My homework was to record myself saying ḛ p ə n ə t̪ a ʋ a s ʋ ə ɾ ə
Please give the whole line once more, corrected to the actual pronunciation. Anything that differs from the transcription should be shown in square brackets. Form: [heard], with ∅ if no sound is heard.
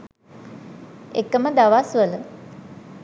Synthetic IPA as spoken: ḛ [k] ə [m] ə [d̪] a ʋ a s ʋ ə [l] ə